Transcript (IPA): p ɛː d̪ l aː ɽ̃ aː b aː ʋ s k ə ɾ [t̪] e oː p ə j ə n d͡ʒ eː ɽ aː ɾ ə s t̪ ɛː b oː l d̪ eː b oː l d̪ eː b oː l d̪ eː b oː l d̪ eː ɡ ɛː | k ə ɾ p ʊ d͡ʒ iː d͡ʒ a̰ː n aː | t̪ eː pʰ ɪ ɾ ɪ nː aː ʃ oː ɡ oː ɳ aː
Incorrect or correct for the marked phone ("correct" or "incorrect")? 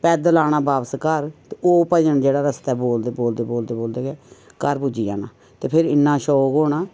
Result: correct